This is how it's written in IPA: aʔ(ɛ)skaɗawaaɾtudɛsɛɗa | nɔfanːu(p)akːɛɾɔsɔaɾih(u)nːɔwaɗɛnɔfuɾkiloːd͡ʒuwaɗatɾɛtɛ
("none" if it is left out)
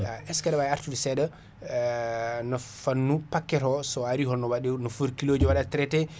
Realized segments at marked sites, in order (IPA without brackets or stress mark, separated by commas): ɛ, p, ɔ